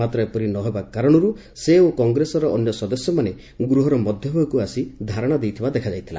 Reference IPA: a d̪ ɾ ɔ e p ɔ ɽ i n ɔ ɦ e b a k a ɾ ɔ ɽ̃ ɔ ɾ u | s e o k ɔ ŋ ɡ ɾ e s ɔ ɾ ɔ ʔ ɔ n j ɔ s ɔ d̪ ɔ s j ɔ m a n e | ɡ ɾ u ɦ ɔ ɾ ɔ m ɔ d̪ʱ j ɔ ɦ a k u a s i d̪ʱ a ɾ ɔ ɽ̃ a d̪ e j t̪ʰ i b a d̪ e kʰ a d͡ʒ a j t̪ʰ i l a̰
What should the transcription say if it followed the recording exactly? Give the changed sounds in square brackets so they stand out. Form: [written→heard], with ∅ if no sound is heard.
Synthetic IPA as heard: a [d̪→t̪] ɾ ɔ e p ɔ [ɽ→ɾ] i n ɔ ɦ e b a k a ɾ ɔ ɽ̃ ɔ ɾ u | s e o k ɔ ŋ ɡ ɾ e s ɔ ɾ ɔ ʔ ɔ n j ɔ s ɔ d̪ ɔ s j ɔ m a n e | ɡ ɾ u ɦ ɔ ɾ ɔ m ɔ d̪ʱ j ɔ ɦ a k u a s i d̪ʱ a ɾ ɔ ɽ̃ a d̪ e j t̪ʰ i b a d̪ e kʰ a d͡ʒ a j t̪ʰ i l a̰